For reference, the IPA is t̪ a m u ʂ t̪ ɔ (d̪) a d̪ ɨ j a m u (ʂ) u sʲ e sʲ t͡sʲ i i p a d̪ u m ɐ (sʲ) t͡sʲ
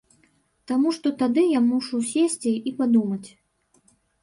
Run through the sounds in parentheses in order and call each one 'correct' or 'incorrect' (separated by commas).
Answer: incorrect, correct, incorrect